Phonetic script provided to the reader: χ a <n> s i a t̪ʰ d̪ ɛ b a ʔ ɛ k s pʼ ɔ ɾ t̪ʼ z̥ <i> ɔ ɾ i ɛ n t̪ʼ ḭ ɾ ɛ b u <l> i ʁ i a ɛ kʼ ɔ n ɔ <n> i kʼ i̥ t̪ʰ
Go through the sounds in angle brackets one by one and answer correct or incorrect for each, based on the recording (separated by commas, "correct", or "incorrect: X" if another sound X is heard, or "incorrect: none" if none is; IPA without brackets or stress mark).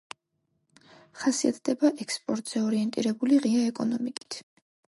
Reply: incorrect: none, incorrect: ɛ, correct, incorrect: m